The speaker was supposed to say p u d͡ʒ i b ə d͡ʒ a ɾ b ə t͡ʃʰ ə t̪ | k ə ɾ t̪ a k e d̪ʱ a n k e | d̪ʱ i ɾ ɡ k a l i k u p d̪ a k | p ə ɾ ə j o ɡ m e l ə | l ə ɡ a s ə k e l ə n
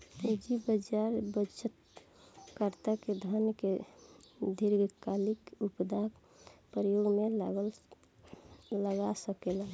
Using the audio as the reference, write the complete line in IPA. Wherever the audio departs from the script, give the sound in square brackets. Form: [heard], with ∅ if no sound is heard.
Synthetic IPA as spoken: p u d͡ʒ i b ə d͡ʒ a ɾ b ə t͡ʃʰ ə t̪ | k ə ɾ t̪ a k e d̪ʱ a n k e | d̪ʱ i ɾ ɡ k a l i k u p d̪ a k | p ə ɾ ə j o ɡ m e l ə | l ə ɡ a s ə k e l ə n